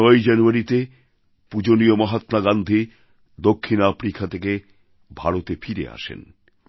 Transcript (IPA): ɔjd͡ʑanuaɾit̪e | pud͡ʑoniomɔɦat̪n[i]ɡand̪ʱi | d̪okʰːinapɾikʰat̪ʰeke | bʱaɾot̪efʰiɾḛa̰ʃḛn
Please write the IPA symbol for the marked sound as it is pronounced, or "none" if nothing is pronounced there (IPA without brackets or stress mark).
a